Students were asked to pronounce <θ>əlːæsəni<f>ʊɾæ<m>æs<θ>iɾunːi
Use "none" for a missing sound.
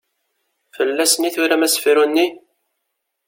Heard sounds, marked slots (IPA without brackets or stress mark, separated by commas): f, θ, m, f